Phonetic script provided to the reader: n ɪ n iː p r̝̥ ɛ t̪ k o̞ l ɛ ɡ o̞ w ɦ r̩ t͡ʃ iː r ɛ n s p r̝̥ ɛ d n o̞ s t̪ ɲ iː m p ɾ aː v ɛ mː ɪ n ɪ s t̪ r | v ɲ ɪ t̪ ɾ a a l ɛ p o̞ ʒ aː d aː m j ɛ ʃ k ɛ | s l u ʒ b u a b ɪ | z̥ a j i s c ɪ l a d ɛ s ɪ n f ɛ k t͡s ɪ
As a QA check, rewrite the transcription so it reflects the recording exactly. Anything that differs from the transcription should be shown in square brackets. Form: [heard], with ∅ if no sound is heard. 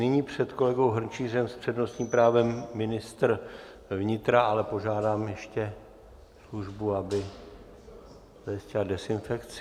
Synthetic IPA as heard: n ɪ [ɲ] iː p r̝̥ ɛ t̪ k o̞ l ɛ ɡ o̞ w ɦ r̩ t͡ʃ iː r ɛ [m] s p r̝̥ ɛ d n o̞ s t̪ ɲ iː m p ɾ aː v ɛ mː ɪ n ɪ s t̪ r | v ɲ ɪ t̪ ɾ a a l ɛ p o̞ ʒ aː d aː m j ɛ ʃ [c] ɛ | s l u ʒ b u a b ɪ | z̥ a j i s c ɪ l a d ɛ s ɪ n f ɛ k t͡s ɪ